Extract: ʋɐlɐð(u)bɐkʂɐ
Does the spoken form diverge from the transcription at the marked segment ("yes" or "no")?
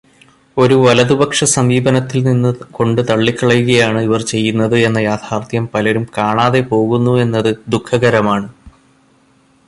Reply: no